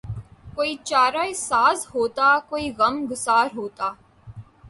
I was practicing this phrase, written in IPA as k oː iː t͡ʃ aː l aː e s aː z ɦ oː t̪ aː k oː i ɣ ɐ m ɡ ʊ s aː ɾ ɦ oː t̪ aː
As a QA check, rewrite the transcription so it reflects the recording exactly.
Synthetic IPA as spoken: k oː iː t͡ʃ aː ɾ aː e s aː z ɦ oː t̪ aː k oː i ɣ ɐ m ɡ ʊ s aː ɾ ɦ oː t̪ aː